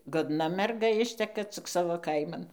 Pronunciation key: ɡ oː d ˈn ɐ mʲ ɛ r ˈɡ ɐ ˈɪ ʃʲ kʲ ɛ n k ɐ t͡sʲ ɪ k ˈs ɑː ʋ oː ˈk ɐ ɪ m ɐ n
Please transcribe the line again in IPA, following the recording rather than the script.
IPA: ɡ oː d ˈn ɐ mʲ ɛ r ˈɡ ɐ ˈɪ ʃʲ tʲ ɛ k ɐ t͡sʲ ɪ k ˈs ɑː ʋ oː ˈk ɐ ɪ m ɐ n